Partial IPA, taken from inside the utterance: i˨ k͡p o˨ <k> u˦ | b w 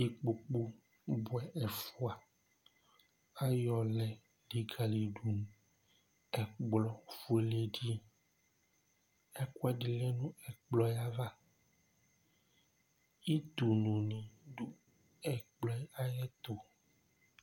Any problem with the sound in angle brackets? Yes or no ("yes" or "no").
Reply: yes